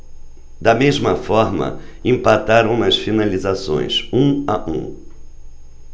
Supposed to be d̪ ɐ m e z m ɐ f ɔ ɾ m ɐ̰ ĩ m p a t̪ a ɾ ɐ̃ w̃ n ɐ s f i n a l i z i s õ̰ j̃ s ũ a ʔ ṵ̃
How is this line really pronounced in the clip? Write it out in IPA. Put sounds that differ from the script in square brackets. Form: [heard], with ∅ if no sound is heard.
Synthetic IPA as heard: d̪ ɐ m e z m ɐ f ɔ ɾ m ɐ̰ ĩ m p a t̪ a ɾ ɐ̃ w̃ n ɐ s f i n a l i z [a] s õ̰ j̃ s ũ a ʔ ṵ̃